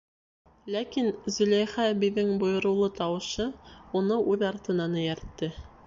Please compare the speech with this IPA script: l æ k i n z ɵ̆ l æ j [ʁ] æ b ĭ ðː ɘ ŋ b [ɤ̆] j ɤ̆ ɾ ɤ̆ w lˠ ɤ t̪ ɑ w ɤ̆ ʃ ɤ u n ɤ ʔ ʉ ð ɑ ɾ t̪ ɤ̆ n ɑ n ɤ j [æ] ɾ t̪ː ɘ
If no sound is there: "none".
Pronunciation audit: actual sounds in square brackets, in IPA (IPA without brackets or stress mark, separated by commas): χ, ŏ, æ